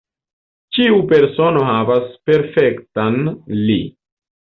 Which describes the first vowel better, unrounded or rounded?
unrounded